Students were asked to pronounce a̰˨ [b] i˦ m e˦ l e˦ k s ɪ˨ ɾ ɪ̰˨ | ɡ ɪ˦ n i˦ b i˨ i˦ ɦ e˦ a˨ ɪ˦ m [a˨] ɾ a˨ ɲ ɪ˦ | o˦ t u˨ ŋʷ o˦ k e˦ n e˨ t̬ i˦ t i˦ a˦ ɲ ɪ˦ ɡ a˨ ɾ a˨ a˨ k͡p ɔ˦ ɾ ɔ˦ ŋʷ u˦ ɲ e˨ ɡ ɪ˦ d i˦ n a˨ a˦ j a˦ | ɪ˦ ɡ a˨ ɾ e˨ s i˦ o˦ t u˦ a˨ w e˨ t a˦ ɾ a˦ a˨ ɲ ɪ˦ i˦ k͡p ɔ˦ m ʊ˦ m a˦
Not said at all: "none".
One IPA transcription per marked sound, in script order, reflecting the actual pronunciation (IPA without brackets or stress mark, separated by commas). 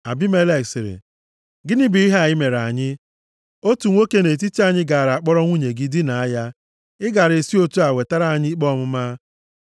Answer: b, e˨